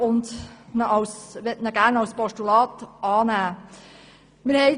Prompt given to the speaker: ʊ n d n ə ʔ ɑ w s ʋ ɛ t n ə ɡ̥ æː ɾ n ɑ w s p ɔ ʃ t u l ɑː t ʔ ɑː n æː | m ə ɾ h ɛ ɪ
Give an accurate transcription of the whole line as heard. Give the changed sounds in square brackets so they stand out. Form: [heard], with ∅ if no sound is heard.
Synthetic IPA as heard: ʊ n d n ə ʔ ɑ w s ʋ ɛ t n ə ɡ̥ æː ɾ n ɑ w s p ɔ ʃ t u l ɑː t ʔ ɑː n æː | m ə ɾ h ɛ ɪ